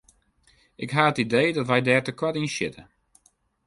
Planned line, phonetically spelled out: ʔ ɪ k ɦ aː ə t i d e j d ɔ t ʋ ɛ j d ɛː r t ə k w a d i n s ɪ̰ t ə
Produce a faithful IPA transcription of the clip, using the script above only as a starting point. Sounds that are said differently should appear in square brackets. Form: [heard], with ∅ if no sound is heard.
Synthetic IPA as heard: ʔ ɪ k ɦ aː ə t i d e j d ɔ t ʋ ɛ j d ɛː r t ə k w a [t] i n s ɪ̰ t ə

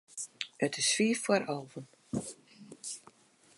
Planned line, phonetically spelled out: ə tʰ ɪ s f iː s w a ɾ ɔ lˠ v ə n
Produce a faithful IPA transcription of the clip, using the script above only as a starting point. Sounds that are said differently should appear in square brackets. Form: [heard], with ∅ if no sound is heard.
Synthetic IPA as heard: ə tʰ ɪ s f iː [f] w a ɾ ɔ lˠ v ə n

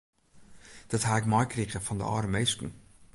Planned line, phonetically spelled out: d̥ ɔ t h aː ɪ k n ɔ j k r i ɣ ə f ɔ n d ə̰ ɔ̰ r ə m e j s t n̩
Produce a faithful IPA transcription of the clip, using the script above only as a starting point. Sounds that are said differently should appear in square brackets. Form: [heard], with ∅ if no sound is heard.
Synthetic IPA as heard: d̥ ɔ t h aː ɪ k [m] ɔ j k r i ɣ ə f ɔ n d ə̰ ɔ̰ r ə m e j s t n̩

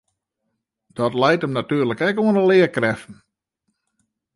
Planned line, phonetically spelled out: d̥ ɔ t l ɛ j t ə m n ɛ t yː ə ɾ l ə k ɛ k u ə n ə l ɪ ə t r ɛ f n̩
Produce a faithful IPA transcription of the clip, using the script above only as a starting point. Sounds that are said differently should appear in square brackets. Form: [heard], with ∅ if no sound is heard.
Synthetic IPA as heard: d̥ ɔ t l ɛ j t ə m n [a] t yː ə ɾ l ə k ɛ k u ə n ə l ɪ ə [k] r ɛ f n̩

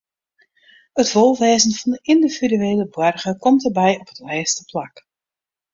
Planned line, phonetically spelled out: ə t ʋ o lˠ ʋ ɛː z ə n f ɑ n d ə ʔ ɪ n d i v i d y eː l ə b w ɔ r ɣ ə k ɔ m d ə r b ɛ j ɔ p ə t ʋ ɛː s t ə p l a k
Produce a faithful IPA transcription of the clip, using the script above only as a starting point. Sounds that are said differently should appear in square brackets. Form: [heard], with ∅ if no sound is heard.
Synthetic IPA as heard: ə t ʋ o lˠ ʋ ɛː z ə n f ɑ n d ə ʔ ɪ n d i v i d y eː l ə b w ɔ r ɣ ə k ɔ m [t] ə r b ɛ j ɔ p ə t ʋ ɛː s t ə p l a k

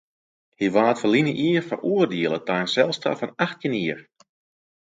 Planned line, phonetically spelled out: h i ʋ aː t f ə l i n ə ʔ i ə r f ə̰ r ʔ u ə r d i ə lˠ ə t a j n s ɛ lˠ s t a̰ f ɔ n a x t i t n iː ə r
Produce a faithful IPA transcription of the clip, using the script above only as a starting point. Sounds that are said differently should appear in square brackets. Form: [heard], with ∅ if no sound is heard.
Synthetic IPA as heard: h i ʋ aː t f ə l i n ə ʔ i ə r f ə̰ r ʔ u ə r d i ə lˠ ə t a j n s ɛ lˠ s t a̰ f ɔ n a x t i [∅] n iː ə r

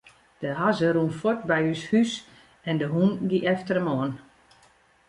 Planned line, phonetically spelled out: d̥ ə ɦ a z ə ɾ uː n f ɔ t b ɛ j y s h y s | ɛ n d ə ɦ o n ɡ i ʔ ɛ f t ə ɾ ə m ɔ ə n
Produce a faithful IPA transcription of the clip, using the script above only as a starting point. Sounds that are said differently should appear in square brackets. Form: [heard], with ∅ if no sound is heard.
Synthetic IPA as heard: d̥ ə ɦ a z ə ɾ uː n f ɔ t b ɛ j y s h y s | ɛ n d ə ɦ [u] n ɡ i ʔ ɛ f t ə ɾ ə m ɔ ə n

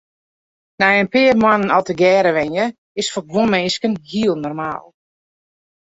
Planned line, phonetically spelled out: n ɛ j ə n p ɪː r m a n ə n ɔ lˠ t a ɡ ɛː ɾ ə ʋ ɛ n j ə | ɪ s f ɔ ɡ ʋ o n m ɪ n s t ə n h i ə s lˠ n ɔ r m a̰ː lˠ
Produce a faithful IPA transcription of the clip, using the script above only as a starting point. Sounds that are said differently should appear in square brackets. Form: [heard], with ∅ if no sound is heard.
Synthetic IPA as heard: n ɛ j ə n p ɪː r m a n ə n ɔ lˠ t [ə] ɡ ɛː ɾ ə ʋ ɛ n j ə | ɪ s f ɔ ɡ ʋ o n m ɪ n s [k] ə n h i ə [∅] lˠ n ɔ r m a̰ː lˠ

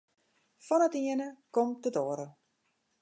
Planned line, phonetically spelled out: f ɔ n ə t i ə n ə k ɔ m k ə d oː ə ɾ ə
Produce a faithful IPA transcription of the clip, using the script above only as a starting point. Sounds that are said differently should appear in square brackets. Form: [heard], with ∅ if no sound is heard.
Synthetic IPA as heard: f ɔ n ə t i ə n ə k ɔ m [t] ə d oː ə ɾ ə

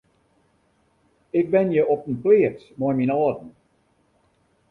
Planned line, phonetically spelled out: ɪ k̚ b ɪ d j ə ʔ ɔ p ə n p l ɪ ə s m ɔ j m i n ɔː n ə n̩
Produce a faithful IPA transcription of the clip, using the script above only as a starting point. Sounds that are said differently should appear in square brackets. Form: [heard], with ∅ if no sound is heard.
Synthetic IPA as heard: ɪ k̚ b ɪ [n] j ə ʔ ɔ p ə n p l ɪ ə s m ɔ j m i n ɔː [d] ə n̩

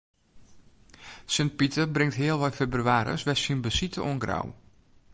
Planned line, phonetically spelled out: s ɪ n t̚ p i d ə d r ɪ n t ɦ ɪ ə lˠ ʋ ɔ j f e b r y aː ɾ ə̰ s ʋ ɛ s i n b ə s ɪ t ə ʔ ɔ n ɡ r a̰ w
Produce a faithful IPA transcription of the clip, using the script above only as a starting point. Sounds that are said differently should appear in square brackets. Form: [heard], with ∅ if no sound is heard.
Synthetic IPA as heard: s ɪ n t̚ p i [t] ə [b] r ɪ [ŋ] t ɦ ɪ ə lˠ ʋ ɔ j f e b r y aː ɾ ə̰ s ʋ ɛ s i n b ə s [i] t ə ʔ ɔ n ɡ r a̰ w

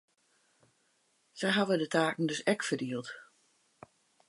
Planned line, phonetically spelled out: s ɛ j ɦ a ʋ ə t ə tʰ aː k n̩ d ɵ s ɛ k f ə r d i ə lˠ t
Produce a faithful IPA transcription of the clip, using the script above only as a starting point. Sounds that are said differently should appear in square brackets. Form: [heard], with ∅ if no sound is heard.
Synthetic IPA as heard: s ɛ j ɦ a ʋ ə [d] ə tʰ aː k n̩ d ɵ s ɛ k f ə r d i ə lˠ t

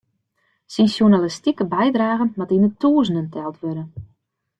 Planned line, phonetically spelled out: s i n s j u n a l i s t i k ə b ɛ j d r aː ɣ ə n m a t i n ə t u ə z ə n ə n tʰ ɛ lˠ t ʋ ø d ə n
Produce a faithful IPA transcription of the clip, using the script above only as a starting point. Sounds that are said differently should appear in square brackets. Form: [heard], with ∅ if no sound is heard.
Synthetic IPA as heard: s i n s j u n a l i s t i k ə b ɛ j d r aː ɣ ə n m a t i n ə t u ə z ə n ə n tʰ ɛ lˠ t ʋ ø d ə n

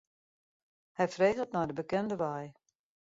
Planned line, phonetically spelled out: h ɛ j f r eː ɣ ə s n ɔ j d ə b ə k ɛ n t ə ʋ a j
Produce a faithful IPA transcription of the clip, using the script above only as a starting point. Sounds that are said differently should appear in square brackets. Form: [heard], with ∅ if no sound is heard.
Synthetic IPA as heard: h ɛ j f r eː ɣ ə [t] n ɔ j d ə b ə k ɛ n [d] ə ʋ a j

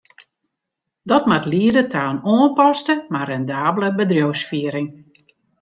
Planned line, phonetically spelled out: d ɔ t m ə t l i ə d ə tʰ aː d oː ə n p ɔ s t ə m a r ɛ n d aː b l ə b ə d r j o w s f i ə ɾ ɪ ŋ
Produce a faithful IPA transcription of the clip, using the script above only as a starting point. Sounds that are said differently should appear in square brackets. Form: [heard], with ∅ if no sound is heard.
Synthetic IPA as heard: d ɔ t m [a] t l i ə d ə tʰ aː [n] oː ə n p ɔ s t ə m a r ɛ n d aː b l ə b ə d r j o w s f i ə ɾ ɪ ŋ

